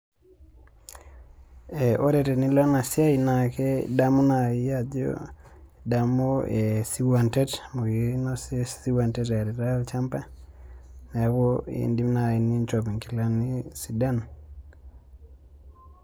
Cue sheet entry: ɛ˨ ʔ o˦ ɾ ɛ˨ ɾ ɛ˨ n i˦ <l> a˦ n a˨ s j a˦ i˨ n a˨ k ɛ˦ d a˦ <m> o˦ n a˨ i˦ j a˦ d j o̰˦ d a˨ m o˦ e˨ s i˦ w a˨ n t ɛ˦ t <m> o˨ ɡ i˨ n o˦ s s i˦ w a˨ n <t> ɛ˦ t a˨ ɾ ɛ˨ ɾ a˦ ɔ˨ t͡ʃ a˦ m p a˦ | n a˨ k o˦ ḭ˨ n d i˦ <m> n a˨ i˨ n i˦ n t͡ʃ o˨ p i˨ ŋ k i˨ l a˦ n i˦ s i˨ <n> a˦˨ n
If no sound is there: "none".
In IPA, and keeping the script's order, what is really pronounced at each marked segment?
l, m, m, t, m, d

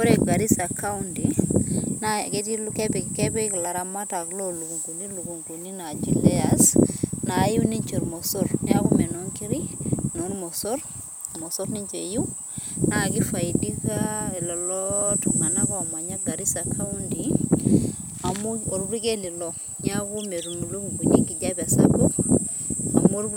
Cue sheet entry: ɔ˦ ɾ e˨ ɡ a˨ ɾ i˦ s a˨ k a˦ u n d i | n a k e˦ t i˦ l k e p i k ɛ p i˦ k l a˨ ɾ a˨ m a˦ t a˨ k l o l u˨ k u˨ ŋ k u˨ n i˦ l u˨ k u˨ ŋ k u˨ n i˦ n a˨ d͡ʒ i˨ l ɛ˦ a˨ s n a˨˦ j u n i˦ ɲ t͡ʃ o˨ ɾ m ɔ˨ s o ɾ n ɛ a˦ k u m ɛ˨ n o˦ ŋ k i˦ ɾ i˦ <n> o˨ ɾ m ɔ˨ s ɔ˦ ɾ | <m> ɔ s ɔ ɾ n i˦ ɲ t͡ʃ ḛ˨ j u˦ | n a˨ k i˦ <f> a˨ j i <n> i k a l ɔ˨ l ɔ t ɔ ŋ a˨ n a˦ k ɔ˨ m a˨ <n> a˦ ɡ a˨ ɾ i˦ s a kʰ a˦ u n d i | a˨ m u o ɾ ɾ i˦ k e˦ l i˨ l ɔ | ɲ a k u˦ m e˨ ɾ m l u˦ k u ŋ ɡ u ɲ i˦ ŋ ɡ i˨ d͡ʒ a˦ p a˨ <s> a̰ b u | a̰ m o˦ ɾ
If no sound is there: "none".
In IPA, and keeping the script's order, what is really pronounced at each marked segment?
n, m, f, d, ɲ, s

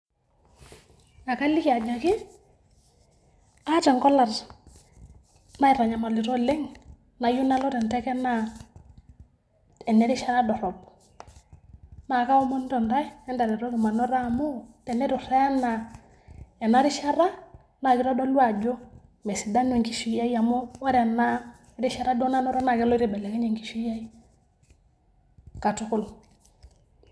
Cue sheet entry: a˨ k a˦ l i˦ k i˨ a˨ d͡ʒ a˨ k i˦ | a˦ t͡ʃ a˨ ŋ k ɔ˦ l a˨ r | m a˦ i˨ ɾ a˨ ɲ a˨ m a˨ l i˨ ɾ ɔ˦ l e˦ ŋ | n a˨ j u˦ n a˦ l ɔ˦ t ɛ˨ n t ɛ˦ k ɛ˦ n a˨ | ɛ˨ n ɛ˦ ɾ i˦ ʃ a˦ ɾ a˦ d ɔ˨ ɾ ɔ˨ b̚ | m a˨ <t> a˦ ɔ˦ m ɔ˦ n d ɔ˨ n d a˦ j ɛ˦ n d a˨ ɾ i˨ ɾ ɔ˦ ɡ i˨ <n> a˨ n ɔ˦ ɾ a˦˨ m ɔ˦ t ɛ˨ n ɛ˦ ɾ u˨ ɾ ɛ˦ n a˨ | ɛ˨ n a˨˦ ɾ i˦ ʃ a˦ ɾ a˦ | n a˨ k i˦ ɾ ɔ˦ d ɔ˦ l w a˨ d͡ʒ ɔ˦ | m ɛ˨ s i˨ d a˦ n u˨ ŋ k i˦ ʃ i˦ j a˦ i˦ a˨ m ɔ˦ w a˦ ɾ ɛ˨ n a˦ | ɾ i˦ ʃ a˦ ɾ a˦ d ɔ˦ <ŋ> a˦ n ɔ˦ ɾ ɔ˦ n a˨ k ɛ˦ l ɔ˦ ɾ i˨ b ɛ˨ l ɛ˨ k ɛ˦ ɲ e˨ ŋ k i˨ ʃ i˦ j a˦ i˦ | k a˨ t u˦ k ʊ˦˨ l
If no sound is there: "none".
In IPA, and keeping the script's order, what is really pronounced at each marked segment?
k, m, n

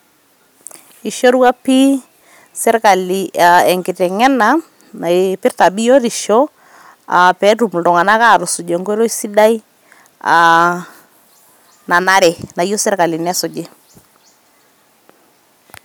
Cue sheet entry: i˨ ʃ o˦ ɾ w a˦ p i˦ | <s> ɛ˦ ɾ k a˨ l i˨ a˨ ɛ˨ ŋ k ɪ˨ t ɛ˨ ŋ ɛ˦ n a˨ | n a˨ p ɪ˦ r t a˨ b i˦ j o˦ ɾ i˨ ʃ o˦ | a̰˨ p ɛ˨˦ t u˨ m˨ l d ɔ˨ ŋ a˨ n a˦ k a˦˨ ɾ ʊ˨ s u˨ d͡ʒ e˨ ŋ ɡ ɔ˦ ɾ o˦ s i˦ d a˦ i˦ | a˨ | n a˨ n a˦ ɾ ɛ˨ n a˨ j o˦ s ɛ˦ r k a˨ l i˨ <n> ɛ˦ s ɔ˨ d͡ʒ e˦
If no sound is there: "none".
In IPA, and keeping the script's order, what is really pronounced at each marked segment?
s, n

